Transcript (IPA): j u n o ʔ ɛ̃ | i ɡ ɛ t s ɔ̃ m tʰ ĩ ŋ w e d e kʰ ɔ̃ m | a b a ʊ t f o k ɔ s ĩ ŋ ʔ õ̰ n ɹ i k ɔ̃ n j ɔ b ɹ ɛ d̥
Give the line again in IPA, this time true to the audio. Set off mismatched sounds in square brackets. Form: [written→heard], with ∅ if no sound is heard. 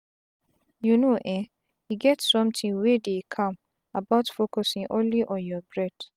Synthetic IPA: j u n o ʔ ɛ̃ | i ɡ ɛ t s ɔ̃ m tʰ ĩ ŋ w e d e kʰ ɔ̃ m | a b a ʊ t f o k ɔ s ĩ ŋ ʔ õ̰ n [ɹ→l] i [k→ʔ] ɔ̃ n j ɔ b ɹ ɛ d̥